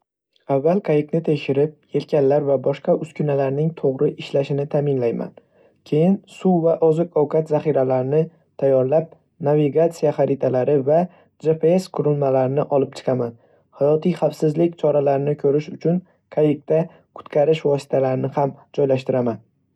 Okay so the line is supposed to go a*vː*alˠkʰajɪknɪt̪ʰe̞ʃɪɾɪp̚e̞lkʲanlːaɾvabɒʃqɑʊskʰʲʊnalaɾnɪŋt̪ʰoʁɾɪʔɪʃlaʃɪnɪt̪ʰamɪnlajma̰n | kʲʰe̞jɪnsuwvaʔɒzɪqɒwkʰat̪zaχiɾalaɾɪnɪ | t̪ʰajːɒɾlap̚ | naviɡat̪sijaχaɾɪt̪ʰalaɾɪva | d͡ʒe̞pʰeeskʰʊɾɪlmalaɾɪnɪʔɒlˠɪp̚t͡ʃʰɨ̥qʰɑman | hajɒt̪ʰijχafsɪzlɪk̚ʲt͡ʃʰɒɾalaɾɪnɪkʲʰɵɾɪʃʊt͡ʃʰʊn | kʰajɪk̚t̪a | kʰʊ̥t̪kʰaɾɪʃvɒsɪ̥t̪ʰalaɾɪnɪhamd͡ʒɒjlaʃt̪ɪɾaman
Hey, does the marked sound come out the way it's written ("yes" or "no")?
yes